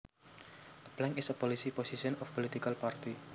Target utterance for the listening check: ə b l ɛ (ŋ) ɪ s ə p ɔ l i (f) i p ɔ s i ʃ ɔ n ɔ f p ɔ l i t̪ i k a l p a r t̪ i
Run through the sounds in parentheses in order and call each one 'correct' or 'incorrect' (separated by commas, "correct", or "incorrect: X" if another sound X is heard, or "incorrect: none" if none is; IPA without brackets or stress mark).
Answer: correct, incorrect: s